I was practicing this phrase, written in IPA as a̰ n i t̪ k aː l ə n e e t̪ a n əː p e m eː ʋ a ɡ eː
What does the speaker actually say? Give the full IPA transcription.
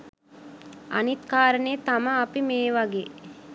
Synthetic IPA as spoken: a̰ n i t̪ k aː ɾ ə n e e t̪ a m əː p i m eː ʋ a ɡ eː